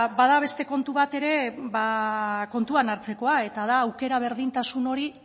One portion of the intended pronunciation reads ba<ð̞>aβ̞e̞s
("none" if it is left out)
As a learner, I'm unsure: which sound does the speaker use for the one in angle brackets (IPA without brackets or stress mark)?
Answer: ð̞